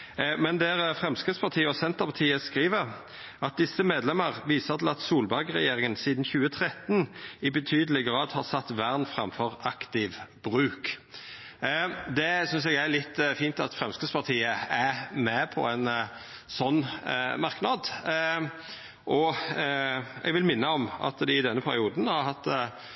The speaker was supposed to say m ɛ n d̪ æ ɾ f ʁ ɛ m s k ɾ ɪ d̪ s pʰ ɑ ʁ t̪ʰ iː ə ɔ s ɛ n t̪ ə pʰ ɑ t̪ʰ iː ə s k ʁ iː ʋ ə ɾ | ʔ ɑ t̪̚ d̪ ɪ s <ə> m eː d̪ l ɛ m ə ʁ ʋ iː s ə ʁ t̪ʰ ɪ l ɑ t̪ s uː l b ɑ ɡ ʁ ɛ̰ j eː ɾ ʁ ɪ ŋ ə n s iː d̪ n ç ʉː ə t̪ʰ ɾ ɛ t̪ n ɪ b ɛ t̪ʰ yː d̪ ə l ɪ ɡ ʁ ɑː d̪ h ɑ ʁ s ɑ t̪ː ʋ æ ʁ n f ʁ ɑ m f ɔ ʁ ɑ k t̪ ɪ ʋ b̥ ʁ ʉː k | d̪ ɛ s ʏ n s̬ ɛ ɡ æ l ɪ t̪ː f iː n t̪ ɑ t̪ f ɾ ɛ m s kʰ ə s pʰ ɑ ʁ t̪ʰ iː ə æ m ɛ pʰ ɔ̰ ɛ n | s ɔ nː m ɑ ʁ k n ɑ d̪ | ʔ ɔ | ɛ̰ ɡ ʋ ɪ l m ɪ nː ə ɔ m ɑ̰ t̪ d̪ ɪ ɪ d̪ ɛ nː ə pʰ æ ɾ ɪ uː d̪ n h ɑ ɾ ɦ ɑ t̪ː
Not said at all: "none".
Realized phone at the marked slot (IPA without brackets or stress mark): ə